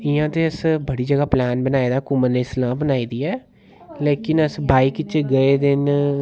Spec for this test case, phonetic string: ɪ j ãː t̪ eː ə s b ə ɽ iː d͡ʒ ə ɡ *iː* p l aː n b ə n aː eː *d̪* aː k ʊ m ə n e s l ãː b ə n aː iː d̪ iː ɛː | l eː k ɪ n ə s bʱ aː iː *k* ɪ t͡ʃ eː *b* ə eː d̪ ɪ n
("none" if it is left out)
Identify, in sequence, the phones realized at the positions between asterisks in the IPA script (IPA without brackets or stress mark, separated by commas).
aː, d̪, k, ɡ